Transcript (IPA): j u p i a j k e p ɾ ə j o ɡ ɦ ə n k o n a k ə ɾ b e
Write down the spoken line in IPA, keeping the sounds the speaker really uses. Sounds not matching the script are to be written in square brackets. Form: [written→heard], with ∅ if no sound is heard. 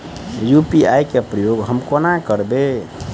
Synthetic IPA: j u p i a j k e p ɾ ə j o ɡ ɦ ə [n→m] k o n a k ə ɾ b e